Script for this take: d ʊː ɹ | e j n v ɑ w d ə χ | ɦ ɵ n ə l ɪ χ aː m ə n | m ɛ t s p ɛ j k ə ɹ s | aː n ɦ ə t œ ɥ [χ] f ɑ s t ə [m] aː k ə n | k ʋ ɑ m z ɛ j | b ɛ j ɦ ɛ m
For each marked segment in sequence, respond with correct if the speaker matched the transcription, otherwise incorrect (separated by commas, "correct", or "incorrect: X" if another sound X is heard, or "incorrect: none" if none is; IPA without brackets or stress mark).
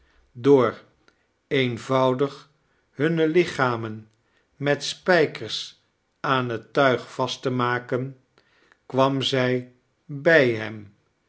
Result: correct, correct